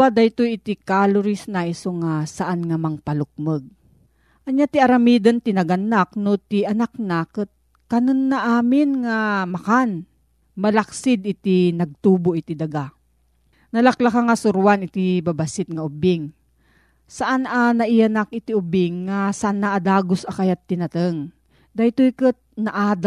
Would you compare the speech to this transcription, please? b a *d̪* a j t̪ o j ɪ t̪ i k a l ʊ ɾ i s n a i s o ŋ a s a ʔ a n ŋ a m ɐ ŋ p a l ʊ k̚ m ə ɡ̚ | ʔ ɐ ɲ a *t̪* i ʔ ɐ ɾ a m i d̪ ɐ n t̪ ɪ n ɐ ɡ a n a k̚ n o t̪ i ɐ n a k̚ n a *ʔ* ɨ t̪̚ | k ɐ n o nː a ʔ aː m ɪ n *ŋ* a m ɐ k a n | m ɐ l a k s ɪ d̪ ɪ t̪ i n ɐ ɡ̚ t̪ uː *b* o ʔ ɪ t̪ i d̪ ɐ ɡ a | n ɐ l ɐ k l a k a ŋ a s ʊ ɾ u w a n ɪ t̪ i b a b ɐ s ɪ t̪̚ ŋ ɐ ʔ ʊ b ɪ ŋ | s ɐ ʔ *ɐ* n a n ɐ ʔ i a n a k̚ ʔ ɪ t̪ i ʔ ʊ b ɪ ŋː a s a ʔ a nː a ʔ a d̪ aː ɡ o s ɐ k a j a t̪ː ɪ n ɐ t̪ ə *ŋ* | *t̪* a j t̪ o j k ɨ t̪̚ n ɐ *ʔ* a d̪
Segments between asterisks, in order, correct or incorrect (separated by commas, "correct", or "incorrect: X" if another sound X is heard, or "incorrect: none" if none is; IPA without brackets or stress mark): correct, correct, incorrect: k, correct, correct, incorrect: a, correct, incorrect: d̪, correct